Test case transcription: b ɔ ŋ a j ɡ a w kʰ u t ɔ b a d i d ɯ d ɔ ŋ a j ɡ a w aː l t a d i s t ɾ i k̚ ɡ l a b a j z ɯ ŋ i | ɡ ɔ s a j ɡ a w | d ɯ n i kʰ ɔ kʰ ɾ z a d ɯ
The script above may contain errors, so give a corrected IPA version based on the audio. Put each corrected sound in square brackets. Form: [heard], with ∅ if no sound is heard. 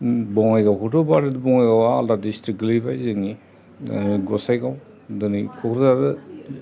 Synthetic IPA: b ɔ ŋ a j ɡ a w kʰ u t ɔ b a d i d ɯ [b] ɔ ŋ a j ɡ a w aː l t a d i s t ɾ i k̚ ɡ l [i] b a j z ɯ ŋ i | ɡ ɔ s a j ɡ a w | d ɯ n i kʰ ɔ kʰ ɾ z a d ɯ